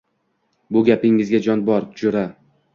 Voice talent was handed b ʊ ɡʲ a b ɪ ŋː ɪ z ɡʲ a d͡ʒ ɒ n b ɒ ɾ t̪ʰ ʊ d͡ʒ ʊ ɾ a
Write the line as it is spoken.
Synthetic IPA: b ʊ ɡʲ a p ɪ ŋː ɪ z ɡʲ a d͡ʒ ɒ n b ɒ ɾ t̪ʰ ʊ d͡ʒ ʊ ɾ a